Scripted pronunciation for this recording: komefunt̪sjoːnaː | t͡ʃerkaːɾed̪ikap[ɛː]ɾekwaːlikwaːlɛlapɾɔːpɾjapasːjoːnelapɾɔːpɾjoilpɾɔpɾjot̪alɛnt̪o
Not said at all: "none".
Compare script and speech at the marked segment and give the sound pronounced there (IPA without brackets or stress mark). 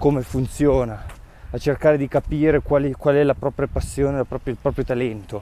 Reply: iː